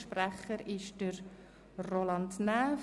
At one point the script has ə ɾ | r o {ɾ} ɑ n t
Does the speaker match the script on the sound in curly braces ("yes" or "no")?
no